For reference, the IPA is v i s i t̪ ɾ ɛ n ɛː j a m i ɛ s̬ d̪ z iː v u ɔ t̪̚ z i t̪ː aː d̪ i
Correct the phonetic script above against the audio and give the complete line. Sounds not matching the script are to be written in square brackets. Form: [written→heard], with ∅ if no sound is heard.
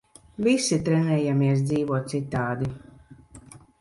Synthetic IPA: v i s i t̪ ɾ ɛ n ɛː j a m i ɛ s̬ d̪ z iː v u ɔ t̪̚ [z→s] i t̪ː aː d̪ i